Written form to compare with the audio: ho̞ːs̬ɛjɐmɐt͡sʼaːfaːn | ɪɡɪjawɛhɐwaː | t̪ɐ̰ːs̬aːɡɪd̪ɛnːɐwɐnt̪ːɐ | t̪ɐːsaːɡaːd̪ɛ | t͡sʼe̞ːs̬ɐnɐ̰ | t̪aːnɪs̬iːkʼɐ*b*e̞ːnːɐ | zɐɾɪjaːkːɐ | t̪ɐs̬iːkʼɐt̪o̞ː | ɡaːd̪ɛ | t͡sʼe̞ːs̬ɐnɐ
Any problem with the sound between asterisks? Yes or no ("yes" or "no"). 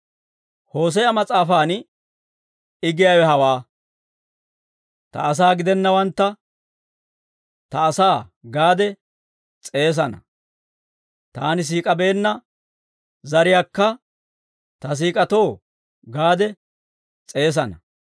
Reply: no